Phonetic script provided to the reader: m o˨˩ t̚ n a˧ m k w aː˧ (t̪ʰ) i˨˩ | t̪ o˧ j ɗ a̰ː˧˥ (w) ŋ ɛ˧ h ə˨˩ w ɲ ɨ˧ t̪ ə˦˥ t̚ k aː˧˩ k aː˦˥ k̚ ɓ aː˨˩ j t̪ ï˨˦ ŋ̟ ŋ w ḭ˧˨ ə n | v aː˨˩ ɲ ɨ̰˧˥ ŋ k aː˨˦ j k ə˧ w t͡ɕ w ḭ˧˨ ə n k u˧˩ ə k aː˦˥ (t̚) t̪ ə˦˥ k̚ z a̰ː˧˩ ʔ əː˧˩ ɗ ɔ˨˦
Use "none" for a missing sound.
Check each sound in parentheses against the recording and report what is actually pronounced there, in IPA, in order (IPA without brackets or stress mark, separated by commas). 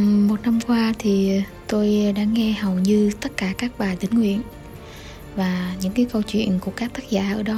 t̪ʰ, none, k̚